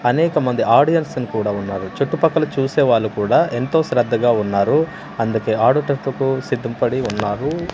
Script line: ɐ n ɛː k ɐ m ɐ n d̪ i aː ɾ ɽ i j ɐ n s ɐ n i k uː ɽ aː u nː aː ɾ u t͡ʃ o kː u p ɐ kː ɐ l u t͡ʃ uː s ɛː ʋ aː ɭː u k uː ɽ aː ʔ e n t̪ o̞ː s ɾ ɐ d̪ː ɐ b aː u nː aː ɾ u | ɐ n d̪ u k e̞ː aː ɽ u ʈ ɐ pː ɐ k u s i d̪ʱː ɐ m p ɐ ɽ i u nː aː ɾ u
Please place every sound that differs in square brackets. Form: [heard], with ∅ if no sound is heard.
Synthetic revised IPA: ɐ n ɛː k ɐ m ɐ n d̪ i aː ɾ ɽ i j ɐ n s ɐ n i k uː ɽ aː u nː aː ɾ u t͡ʃ o [ʈː] u p ɐ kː ɐ l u t͡ʃ uː s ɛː ʋ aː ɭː u k uː ɽ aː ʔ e n t̪ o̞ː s ɾ ɐ d̪ː ɐ [ɡ] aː u nː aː ɾ u | ɐ n d̪ u k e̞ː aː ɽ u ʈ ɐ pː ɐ k u s i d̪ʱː ɐ m p ɐ ɽ i u nː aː ɾ u